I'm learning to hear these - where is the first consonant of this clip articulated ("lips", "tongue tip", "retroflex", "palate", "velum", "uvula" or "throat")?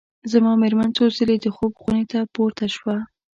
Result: tongue tip